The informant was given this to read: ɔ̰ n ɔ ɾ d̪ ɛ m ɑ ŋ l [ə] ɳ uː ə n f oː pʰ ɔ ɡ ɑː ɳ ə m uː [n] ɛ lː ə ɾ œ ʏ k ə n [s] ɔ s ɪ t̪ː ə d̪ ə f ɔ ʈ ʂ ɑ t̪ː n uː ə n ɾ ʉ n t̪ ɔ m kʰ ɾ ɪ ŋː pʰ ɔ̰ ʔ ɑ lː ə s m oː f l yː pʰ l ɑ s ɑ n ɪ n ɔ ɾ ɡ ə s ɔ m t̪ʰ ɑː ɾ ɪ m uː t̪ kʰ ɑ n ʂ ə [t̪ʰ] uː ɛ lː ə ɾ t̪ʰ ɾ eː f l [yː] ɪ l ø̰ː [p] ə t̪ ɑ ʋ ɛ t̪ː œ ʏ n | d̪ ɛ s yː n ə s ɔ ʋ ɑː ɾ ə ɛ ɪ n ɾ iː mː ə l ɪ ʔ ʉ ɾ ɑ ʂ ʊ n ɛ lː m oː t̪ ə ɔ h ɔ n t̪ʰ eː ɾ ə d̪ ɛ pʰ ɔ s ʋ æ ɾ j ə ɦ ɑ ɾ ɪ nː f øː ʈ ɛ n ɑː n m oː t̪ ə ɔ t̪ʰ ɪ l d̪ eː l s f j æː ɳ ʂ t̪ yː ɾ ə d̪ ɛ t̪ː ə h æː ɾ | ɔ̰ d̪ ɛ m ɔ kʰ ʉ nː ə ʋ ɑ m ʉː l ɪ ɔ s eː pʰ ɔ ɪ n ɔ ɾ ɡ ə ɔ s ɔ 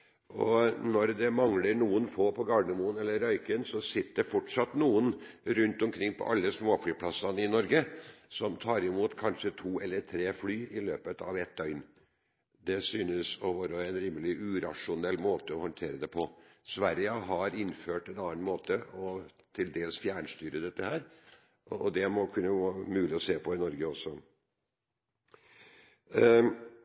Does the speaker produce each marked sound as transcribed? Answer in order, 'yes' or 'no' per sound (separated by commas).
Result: yes, yes, yes, yes, yes, yes